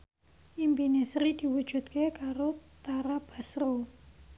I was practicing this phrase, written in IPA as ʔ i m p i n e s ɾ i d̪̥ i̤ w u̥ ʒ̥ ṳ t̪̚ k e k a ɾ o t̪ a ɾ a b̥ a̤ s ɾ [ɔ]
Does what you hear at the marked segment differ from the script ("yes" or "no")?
yes